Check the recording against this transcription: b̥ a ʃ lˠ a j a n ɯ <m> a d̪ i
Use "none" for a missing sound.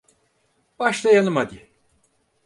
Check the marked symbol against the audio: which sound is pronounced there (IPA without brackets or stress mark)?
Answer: m